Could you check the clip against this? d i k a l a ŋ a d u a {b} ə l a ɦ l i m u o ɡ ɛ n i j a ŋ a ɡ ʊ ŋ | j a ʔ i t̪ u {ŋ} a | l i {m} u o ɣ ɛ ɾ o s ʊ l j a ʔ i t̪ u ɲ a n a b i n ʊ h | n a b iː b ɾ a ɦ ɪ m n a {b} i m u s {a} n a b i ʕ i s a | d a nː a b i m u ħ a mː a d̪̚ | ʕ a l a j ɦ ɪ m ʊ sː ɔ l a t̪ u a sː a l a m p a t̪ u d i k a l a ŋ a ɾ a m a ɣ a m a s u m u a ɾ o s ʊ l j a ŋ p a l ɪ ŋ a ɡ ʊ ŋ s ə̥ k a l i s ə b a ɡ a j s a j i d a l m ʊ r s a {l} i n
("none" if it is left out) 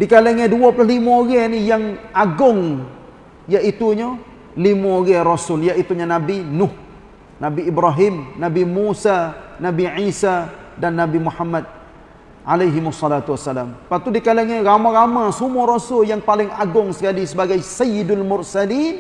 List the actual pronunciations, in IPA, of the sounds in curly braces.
p, ɲ, m, b, a, l

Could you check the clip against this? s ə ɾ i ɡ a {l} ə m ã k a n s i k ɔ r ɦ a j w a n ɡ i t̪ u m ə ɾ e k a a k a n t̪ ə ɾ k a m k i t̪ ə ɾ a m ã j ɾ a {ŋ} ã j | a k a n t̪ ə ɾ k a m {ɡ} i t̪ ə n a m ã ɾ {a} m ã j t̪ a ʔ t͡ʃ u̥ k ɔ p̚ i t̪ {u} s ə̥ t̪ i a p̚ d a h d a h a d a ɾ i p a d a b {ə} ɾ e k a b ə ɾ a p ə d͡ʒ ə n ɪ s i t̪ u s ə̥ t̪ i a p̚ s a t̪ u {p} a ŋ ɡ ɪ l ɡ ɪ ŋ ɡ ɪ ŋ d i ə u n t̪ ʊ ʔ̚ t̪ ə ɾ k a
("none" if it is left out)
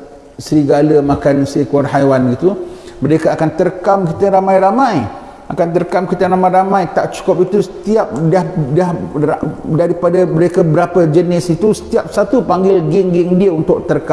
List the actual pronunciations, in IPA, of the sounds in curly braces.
l, m, k, a, u, ə, p

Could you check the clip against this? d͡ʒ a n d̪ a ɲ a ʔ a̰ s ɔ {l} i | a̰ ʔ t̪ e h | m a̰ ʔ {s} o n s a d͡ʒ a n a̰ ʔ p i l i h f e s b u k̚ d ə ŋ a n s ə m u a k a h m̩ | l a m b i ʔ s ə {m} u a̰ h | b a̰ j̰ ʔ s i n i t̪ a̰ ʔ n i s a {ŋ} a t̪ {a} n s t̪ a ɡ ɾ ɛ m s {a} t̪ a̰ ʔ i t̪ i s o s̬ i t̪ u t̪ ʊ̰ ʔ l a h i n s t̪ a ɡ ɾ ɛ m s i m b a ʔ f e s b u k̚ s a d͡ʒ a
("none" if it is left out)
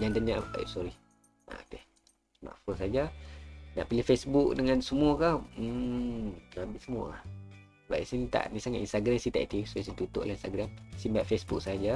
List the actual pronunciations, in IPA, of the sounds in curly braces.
ɾ, f, m, ŋ, i, i

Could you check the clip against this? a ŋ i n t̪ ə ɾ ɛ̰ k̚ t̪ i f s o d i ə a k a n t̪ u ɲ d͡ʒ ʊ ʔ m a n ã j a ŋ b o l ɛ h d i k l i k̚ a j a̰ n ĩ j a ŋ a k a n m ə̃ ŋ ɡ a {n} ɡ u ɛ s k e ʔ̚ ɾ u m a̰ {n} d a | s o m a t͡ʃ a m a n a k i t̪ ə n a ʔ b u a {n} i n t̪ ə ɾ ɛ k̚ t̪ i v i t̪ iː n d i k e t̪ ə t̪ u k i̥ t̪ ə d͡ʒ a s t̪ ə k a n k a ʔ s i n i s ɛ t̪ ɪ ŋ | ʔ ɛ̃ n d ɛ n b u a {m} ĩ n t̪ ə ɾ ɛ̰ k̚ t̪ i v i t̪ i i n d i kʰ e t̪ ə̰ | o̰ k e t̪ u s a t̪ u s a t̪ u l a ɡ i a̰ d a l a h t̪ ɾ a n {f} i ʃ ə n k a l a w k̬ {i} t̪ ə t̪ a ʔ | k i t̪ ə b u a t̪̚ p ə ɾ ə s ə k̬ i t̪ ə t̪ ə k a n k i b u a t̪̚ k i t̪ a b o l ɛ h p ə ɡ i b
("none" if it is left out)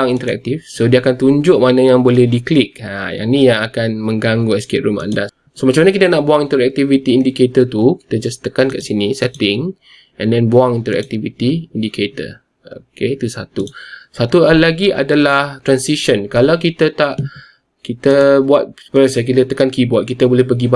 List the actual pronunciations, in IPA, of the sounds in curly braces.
ŋ, n, ŋ, ŋ, s, i

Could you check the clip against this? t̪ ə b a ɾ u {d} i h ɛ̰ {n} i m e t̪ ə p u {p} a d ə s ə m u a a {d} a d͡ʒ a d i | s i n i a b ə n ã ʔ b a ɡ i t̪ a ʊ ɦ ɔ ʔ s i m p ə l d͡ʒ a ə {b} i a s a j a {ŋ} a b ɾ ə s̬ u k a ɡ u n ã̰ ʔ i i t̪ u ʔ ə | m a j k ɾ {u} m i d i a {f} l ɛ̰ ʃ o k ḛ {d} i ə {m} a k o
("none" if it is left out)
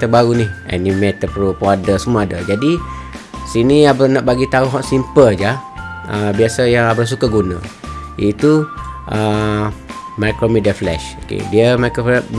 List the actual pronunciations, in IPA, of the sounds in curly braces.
n, n, p, d, b, ŋ, o, f, d, m

